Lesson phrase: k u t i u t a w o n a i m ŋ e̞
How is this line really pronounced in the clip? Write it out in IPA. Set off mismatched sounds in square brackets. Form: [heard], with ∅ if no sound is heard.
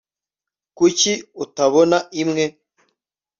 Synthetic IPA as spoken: k u [c] i u t a [β] o n a i m ŋ e̞